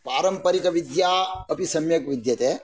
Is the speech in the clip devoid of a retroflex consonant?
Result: yes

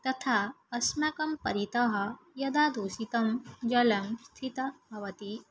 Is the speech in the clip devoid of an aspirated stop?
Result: no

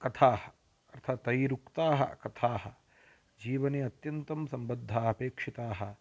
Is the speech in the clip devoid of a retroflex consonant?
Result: no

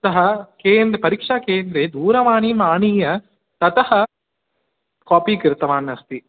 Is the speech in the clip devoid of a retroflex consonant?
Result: no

